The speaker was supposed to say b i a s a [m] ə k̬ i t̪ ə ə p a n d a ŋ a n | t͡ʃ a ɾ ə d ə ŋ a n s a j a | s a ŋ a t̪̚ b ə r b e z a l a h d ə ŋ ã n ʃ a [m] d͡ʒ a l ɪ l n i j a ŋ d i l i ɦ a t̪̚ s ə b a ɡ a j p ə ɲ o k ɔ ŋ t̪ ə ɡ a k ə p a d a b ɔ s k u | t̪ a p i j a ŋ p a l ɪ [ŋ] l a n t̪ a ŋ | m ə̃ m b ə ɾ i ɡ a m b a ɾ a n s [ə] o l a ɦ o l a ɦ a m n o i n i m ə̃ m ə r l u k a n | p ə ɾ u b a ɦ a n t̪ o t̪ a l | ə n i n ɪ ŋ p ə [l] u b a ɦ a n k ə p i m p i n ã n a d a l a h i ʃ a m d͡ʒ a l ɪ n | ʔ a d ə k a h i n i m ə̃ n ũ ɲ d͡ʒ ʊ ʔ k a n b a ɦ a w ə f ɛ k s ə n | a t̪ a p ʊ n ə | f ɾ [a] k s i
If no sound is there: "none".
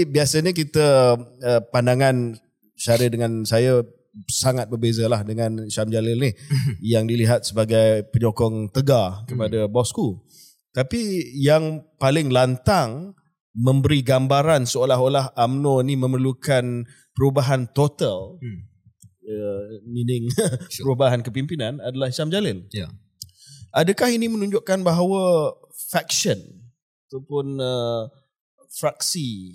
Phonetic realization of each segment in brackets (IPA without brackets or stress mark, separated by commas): ɲ, m, ŋ, ə, ɾ, a